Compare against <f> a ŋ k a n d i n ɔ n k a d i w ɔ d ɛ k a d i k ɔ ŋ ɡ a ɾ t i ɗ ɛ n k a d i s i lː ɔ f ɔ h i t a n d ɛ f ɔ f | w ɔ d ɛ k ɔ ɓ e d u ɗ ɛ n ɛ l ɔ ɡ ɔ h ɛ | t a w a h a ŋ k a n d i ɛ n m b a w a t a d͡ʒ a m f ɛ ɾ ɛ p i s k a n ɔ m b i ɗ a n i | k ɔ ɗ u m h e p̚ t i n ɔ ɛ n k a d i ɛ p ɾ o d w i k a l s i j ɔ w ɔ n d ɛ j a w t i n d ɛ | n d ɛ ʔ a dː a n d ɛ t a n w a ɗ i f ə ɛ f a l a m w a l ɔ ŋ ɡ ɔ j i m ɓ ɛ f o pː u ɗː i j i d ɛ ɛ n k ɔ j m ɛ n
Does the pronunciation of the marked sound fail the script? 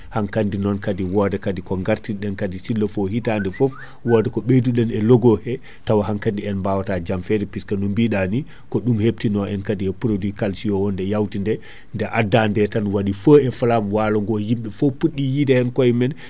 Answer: yes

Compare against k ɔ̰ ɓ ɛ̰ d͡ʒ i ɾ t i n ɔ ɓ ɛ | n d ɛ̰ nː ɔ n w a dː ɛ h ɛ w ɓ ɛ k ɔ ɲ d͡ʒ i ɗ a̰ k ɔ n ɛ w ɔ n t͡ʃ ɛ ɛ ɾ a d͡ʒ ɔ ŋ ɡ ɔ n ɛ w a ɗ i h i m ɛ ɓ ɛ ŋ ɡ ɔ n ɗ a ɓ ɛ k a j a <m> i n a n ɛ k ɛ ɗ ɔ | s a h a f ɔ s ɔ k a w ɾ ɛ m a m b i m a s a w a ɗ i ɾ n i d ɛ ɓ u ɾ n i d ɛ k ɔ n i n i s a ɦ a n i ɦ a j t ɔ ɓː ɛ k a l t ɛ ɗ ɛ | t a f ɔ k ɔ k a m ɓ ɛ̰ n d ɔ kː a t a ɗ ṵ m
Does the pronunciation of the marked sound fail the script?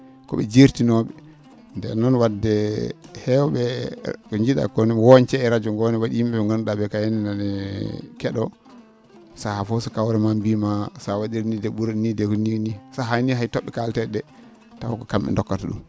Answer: yes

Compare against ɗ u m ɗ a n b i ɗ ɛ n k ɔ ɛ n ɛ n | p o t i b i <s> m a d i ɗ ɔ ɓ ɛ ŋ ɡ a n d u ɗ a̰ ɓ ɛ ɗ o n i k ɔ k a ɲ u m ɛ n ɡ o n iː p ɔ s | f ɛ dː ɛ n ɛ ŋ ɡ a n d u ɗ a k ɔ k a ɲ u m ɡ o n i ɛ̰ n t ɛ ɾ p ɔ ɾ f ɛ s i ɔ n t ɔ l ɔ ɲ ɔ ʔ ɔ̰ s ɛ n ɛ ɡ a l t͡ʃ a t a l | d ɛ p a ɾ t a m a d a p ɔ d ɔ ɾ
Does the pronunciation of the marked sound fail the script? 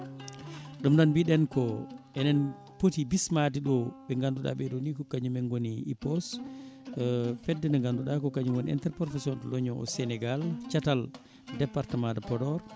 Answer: no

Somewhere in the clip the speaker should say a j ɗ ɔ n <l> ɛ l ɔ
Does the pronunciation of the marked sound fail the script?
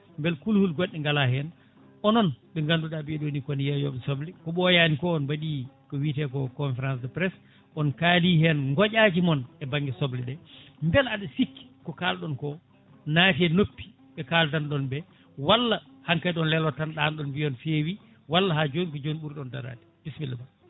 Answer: no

